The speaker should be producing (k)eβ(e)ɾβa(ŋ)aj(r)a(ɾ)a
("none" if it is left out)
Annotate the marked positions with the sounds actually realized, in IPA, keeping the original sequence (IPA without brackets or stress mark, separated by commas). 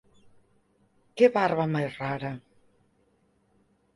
k, a, m, r, ɾ